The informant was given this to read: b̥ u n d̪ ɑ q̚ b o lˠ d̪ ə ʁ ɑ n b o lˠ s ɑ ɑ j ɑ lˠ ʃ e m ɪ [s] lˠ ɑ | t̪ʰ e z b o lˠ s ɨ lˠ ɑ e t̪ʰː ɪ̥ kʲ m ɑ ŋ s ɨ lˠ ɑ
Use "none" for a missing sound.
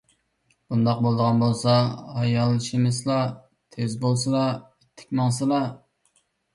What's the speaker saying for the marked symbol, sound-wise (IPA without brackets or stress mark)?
s